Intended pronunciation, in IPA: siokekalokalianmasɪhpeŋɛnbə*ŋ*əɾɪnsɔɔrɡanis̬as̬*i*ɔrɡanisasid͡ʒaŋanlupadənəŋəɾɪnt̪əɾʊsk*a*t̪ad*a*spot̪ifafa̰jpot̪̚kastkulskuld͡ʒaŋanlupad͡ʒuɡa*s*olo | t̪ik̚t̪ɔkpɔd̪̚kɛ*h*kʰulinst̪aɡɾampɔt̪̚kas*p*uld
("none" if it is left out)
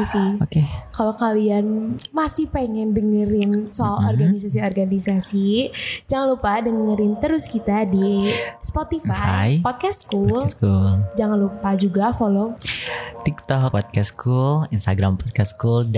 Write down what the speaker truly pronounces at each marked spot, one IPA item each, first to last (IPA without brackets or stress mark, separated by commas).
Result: ŋ, i, i, i, f, s, k